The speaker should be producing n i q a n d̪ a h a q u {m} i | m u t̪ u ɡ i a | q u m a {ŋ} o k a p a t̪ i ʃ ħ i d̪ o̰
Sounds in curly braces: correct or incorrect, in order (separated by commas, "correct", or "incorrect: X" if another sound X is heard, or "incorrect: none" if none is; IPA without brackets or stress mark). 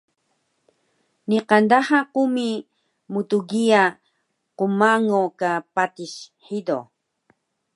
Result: correct, correct